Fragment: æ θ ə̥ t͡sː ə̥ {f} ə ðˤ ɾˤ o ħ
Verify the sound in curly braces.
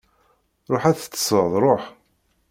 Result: incorrect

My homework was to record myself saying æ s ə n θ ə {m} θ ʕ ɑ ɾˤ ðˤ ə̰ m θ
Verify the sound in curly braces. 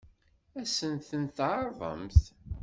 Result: incorrect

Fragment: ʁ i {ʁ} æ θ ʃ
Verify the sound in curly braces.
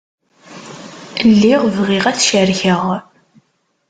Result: correct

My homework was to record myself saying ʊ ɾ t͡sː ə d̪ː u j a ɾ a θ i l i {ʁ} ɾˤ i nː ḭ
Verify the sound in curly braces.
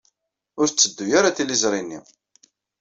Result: incorrect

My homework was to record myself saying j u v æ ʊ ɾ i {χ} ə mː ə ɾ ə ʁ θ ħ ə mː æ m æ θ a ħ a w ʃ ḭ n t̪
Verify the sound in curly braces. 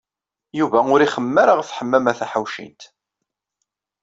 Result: correct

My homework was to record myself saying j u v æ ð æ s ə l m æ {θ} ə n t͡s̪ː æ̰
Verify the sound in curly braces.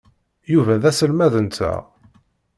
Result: incorrect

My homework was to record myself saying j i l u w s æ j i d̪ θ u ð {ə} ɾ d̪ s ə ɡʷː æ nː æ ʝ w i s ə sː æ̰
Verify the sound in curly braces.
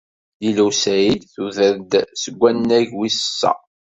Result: correct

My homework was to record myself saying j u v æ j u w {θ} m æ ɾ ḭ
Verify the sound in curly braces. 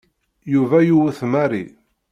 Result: correct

